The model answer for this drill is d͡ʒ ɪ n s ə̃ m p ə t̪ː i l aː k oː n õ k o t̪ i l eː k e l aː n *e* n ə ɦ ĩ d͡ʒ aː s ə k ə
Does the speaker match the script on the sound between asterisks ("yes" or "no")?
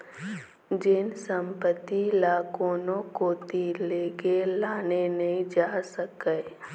yes